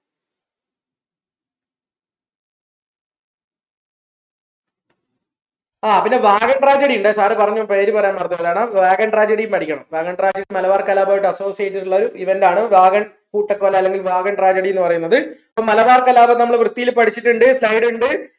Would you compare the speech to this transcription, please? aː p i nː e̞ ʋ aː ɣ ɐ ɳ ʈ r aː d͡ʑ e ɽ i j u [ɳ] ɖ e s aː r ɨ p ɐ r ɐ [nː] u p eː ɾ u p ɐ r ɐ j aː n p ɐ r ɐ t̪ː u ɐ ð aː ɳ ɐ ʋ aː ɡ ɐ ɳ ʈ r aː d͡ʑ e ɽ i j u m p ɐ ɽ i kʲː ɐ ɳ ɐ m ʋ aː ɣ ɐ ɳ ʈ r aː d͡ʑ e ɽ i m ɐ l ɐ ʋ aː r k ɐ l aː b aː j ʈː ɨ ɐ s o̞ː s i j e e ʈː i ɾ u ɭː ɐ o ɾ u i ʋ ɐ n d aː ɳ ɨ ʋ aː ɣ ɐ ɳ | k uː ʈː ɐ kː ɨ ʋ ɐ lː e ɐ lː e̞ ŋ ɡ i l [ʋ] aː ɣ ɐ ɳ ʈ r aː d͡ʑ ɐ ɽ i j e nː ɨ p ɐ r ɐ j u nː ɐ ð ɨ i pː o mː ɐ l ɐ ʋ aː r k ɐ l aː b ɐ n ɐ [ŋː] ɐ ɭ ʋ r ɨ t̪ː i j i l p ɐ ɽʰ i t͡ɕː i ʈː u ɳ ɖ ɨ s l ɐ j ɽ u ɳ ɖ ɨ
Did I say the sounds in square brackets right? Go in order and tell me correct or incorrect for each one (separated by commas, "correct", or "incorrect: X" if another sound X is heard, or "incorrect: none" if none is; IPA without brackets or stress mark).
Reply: correct, incorrect: ɲː, correct, incorrect: mː